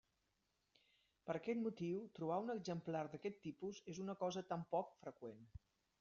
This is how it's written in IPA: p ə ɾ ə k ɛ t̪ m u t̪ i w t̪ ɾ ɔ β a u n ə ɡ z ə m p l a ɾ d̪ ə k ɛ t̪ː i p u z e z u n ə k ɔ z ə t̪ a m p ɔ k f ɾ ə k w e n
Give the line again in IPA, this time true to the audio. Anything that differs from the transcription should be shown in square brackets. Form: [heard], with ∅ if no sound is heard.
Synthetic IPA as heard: p ə ɾ ə k ɛ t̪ m u t̪ i w t̪ ɾ [u] β a u n ə ɡ z ə m p l a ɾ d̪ ə k ɛ t̪ː i p u z e z u n ə k ɔ z ə t̪ a m p ɔ k f ɾ ə k w e n